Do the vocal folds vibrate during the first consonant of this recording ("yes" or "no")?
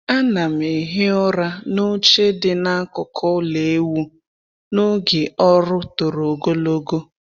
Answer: yes